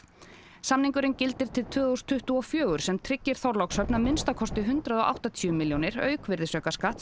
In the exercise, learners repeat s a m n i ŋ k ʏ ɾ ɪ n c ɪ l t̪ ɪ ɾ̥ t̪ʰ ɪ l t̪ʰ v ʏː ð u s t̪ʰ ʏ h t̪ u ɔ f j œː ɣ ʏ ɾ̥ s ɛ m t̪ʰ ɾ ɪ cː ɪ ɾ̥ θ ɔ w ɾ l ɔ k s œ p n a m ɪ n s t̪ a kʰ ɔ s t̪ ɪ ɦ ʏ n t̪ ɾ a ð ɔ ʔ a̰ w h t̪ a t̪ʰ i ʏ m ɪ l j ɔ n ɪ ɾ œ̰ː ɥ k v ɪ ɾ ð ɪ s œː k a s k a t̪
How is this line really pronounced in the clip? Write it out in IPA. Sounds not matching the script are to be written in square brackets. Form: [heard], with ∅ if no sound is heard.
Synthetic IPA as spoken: s a m n i ŋ k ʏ ɾ ɪ n c ɪ l t̪ ɪ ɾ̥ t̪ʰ ɪ l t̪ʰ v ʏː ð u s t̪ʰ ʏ h t̪ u ɔ f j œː ɣ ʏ ɾ̥ s ɛ m t̪ʰ ɾ ɪ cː ɪ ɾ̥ θ ɔ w ɾ l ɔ k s œ p n a m ɪ n s t̪ a kʰ ɔ s t̪ ɪ ɦ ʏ n t̪ ɾ a ð ɔ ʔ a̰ w h t̪ a t̪ʰ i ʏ m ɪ l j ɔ n ɪ ɾ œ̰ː ɥ k v ɪ ɾ ð ɪ s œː k a s k a t̪